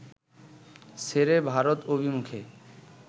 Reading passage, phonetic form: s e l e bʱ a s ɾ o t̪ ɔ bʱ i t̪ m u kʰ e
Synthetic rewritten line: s e ɾ e bʱ a ɾ o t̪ o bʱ i m u kʰ e

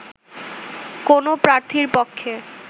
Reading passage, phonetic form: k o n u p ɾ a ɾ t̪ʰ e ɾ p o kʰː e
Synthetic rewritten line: k o n o p ɾ a ɾ t̪ʰ i ɾ p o kʰː e

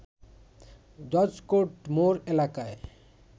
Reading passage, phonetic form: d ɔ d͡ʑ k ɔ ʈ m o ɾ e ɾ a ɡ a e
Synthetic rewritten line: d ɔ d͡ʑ k o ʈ m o ɾ e l a k a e

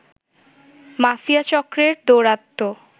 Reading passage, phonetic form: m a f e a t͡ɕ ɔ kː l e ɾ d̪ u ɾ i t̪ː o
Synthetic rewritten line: m a f i a t͡ɕ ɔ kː ɾ e ɾ d̪ o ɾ a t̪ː o

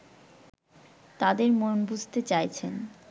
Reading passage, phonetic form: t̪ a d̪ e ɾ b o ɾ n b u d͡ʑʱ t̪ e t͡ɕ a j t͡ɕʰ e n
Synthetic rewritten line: t̪ a d̪ e ɾ m o n b u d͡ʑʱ t̪ e t͡ɕ a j t͡ɕʰ e n

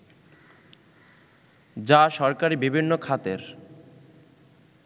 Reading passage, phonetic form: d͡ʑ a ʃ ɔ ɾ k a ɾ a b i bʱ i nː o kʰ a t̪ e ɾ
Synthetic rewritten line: d͡ʑ a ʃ ɔ ɾ k a ɾ i b i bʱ i nː o kʰ a t̪ e ɾ

